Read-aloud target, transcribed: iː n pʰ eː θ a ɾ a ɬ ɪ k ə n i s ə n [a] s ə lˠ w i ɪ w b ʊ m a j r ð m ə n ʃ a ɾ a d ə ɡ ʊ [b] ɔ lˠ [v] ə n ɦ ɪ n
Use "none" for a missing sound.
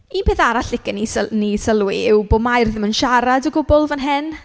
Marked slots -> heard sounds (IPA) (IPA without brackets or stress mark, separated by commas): i, b, v